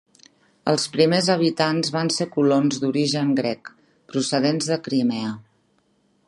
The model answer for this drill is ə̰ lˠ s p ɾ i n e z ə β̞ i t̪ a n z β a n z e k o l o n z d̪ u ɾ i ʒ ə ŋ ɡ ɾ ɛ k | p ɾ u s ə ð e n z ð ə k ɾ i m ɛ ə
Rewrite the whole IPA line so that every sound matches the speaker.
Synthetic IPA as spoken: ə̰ lˠ s p ɾ i m e z ə β̞ i t̪ a n z β a n s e k u l o n z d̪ u ɾ i ʒ ə ŋ ɡ ɾ ɛ k | p ɾ u s ə ð e n z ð ə k ɾ i m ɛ ə